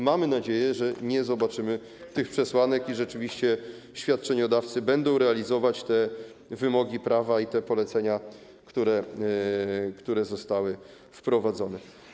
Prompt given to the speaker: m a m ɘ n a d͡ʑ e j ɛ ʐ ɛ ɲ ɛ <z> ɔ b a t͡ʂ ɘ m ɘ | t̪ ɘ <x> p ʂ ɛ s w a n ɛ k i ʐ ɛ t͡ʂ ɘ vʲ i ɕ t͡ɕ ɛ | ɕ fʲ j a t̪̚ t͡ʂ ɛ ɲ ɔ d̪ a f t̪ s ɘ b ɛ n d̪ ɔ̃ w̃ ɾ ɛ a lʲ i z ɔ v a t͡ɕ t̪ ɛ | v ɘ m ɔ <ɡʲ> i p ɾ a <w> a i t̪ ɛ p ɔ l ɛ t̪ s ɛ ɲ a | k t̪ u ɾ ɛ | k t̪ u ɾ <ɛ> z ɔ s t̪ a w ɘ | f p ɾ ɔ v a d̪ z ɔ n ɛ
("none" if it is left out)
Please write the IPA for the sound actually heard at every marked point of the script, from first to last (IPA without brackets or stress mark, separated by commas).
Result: z, x, ɡʲ, v, ɛ